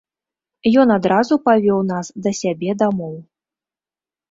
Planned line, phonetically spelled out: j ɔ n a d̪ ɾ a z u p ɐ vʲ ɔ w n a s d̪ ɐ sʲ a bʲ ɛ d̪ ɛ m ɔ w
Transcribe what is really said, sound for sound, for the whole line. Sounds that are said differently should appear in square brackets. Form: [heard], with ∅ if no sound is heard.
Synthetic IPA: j ɔ n a d̪ ɾ a z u p [a] vʲ ɔ w n a s d̪ ɐ sʲ a bʲ ɛ d̪ [a] m ɔ w

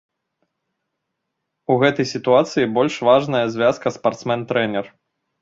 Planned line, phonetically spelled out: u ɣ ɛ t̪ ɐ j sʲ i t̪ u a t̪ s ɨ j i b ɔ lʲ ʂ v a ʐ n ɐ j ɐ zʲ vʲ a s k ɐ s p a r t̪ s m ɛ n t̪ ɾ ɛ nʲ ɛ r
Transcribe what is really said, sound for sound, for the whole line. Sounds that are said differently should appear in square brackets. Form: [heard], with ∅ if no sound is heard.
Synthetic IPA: u ɣ ɛ t̪ ɐ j sʲ i t̪ u a t̪ s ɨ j i b ɔ lʲ ʂ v a ʐ n ɐ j ɐ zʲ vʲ a s k ɐ s p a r t̪ s m ɛ n t̪ ɾ ɛ nʲ ɛ r

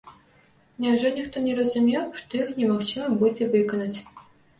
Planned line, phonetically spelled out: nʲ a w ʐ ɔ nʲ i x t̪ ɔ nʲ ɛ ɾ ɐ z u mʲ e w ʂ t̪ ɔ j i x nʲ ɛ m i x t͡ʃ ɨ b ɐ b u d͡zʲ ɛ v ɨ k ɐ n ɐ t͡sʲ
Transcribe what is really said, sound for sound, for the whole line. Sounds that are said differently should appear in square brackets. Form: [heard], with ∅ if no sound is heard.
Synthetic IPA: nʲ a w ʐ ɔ nʲ i x t̪ ɔ nʲ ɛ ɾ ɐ z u mʲ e w ʂ t̪ ɔ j i x nʲ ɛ m [a] x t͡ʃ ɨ [m] ɐ b u d͡zʲ ɛ v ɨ k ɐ n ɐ t͡sʲ

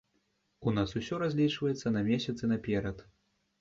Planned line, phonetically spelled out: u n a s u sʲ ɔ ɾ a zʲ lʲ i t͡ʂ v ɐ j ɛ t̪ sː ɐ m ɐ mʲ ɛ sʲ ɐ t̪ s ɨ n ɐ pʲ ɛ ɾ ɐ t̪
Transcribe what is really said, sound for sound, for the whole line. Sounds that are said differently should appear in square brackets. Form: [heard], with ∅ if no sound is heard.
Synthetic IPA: u n a s u sʲ ɔ ɾ a zʲ lʲ i t͡ʂ v ɐ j ɛ t̪ sː ɐ [n] ɐ mʲ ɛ sʲ ɐ t̪ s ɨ n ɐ pʲ ɛ ɾ ɐ t̪

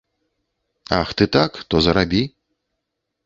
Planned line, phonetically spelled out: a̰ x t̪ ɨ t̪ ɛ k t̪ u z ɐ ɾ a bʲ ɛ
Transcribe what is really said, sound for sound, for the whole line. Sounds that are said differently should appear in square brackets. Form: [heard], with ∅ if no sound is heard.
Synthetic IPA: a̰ x t̪ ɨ t̪ [a] k t̪ [ɔ] z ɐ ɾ a bʲ [i]

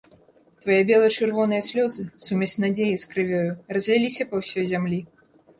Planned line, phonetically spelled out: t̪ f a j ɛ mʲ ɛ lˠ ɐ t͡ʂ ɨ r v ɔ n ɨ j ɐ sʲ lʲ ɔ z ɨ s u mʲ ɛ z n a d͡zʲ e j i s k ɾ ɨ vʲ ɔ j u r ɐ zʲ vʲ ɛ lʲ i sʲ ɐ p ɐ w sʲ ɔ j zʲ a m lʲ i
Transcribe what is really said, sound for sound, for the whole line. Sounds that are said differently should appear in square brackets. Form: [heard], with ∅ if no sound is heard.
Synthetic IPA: t̪ [v] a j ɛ [bʲ] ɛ lˠ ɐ t͡ʂ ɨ r v ɔ n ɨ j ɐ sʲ lʲ ɔ z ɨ s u mʲ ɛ [s] n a d͡zʲ e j i s k ɾ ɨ vʲ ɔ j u r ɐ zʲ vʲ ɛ lʲ i sʲ ɐ p ɐ w sʲ ɔ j zʲ a m lʲ i

